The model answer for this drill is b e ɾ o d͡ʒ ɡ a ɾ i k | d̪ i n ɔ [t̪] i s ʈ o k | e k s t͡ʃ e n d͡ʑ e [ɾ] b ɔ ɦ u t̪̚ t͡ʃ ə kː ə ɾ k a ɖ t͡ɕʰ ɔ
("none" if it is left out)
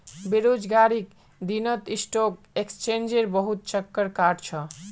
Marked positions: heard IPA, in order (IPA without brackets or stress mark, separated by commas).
t̪, ɾ